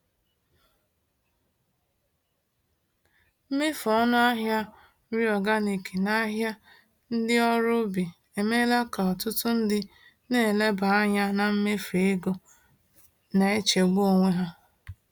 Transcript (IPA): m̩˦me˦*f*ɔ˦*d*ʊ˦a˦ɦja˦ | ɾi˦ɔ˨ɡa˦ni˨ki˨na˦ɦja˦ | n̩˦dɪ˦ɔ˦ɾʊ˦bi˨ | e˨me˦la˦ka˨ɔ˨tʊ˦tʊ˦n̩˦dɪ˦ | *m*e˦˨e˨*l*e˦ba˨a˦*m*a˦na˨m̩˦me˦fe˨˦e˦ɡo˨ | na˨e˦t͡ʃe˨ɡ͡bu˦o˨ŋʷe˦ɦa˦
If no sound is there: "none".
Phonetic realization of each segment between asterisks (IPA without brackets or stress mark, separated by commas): f, n, n, l, ɲ